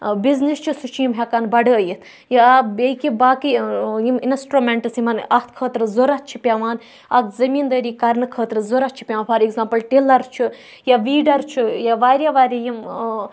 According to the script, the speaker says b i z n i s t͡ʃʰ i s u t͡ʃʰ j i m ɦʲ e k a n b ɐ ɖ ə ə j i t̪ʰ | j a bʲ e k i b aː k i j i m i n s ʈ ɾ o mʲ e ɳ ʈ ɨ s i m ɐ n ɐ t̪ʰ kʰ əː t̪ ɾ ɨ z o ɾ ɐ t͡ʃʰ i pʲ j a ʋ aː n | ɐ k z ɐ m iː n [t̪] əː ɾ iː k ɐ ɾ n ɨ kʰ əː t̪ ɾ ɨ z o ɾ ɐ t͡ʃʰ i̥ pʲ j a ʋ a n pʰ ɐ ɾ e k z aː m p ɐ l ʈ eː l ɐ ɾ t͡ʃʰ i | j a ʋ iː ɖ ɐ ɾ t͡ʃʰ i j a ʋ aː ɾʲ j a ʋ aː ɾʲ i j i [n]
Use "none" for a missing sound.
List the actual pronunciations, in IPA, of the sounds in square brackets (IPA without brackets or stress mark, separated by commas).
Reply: d̪, m